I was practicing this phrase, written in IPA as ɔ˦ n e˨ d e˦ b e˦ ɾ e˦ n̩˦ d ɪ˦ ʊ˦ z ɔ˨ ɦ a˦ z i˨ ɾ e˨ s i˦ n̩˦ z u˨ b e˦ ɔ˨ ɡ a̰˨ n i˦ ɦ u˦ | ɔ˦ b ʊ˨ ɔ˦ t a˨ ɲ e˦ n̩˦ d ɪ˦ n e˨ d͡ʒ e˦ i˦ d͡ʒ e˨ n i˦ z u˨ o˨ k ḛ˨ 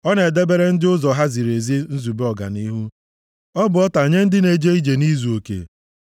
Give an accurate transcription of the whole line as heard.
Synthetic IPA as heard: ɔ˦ n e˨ d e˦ b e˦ ɾ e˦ n̩˦ d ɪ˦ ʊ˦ z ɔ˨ ɦ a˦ z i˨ ɾ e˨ z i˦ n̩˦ z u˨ b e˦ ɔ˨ ɡ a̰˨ n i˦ ɦ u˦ | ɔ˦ b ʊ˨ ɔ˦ t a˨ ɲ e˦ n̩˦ d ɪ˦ n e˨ d͡ʒ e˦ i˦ d͡ʒ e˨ n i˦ z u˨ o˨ k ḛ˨